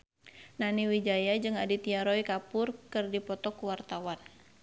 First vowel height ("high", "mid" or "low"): low